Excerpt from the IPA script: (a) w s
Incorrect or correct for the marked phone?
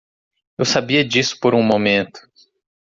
incorrect: e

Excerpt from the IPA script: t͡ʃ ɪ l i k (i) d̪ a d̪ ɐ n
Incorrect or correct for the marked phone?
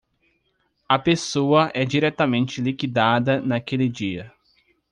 correct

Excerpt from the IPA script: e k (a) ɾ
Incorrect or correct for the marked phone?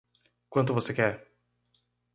incorrect: ɛ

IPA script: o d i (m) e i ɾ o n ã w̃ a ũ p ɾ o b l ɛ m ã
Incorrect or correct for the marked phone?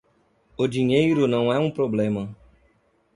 incorrect: ɲ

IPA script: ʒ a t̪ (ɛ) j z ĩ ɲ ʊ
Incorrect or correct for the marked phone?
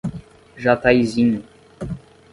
incorrect: a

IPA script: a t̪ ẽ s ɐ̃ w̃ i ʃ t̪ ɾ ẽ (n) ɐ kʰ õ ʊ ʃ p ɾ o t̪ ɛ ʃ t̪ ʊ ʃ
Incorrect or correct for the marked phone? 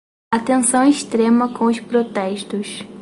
incorrect: m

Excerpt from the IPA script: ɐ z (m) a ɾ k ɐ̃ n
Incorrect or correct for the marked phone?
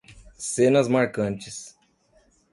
correct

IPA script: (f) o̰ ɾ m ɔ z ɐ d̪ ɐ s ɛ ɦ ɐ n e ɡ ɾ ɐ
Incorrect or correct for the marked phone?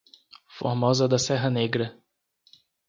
correct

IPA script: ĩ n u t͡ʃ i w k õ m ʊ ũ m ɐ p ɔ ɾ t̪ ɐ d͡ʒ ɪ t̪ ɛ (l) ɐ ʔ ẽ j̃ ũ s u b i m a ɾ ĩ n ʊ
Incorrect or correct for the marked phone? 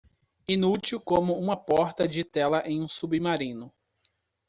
correct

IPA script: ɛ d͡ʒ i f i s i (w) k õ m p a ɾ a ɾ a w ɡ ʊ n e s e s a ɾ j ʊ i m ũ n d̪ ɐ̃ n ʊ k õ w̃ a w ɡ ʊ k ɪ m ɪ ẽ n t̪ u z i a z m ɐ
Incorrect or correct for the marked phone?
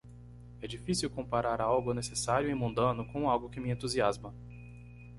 correct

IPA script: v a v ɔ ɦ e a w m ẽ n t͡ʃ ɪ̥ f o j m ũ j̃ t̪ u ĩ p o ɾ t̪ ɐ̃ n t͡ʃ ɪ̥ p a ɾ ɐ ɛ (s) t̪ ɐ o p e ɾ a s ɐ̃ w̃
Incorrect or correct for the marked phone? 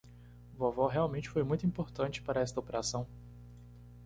correct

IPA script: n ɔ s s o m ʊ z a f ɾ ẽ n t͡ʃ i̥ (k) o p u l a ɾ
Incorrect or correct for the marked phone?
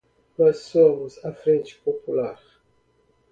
incorrect: p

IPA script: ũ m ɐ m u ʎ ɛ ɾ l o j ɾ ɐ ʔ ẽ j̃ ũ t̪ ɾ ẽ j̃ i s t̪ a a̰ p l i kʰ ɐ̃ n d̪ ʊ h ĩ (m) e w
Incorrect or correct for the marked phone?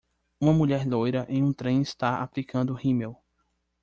correct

